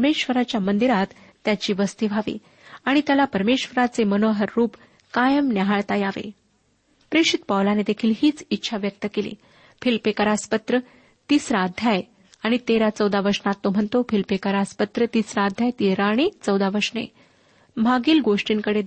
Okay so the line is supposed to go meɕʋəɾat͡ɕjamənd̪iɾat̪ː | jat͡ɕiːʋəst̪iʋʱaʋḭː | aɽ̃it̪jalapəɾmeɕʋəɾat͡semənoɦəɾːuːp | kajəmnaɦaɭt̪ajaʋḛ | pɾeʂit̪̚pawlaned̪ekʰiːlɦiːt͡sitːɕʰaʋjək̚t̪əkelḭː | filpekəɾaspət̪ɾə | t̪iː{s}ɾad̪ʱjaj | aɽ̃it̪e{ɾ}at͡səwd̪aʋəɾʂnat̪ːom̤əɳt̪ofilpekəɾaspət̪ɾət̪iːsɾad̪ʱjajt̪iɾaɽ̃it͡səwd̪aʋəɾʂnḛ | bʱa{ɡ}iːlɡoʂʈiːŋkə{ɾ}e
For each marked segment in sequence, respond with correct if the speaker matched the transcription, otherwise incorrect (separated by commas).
correct, correct, correct, incorrect